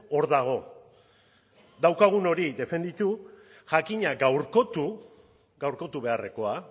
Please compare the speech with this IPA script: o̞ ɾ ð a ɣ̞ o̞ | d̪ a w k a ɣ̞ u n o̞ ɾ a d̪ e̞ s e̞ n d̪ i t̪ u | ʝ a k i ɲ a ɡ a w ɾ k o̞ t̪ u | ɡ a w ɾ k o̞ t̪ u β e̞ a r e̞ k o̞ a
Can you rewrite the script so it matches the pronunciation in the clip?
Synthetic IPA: o̞ ɾ ð a ɣ̞ o̞ | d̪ a w k a ɣ̞ u n o̞ ɾ i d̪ e̞ f e̞ n d̪ i t̪ u | ʝ a k i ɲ a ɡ a w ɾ k o̞ t̪ u | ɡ a w ɾ k o̞ t̪ u β e̞ a r e̞ k o̞ a